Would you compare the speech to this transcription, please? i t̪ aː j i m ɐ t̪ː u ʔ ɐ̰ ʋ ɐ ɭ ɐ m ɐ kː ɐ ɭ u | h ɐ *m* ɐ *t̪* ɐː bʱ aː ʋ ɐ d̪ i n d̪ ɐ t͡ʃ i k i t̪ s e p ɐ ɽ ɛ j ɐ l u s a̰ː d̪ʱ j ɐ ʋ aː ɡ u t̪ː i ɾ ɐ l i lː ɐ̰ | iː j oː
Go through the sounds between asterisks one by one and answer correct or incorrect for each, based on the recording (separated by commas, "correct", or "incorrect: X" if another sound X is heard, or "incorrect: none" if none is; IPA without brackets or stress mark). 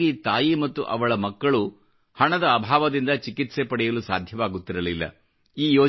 incorrect: ɳ, incorrect: d̪